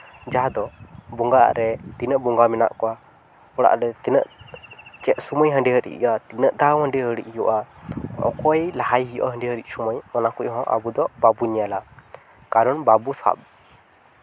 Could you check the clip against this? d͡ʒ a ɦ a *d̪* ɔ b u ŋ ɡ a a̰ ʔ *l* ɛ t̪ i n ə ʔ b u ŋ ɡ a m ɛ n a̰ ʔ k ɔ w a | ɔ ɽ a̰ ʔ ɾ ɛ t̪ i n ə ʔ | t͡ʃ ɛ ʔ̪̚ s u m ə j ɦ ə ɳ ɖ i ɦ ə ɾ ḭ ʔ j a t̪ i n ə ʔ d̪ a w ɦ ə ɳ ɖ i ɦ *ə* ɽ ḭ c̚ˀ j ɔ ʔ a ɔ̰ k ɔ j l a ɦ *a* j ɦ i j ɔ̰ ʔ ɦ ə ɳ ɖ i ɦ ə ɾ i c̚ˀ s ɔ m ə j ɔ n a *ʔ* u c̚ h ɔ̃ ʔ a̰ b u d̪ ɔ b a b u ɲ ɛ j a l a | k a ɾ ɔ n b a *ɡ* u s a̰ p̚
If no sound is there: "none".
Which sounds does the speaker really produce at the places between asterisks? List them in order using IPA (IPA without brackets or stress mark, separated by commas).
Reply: d̪, ɾ, ə, a, k, b